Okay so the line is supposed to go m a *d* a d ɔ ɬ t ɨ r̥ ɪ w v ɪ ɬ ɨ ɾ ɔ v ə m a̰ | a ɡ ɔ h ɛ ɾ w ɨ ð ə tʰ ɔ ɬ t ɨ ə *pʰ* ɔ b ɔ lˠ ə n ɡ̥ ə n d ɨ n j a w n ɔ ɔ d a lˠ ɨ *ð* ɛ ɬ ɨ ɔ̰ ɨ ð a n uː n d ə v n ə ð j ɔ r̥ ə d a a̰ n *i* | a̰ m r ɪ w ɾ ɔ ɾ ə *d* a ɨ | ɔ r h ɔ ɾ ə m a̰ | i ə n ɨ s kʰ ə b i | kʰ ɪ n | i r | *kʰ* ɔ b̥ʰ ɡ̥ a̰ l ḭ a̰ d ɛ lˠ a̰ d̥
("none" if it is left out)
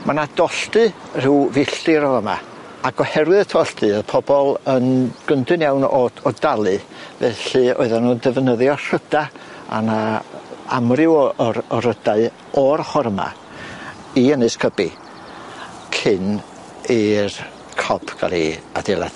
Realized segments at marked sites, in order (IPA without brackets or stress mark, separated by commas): n, pʰ, v, a, d, kʰ